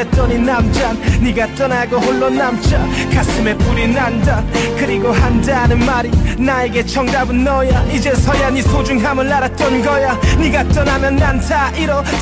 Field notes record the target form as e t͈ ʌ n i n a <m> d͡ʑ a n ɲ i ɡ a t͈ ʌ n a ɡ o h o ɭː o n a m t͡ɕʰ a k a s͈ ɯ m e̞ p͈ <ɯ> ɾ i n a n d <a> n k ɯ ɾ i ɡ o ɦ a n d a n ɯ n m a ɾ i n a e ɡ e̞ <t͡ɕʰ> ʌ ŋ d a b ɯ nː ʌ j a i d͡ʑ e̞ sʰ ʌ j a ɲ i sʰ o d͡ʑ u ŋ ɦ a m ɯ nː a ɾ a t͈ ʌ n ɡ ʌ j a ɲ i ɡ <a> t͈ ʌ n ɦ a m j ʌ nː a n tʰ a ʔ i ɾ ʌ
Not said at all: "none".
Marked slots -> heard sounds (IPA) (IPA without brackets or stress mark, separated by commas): m, u, a, t͡ɕʰ, a